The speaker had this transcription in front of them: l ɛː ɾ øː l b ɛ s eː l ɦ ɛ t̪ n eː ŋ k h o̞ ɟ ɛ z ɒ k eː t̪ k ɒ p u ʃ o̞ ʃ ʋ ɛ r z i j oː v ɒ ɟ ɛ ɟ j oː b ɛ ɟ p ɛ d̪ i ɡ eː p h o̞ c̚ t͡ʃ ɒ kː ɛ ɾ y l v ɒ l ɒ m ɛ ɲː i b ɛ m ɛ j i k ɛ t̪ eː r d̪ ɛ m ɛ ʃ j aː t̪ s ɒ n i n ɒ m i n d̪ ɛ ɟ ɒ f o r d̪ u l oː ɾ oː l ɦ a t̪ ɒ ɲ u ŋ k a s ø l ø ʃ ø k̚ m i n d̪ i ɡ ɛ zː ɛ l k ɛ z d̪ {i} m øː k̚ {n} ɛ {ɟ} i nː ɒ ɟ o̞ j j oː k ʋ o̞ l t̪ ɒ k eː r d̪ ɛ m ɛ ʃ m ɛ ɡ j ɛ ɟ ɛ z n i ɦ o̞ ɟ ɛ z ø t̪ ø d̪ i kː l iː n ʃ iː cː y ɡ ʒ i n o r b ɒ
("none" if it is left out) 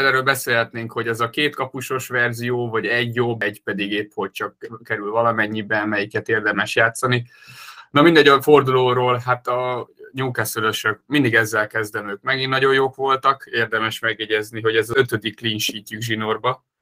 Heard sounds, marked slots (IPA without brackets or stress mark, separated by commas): ɛ, m, ɡ